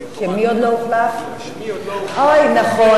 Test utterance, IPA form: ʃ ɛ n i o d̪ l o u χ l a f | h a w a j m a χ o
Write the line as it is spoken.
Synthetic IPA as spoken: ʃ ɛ m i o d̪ l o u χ l a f | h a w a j n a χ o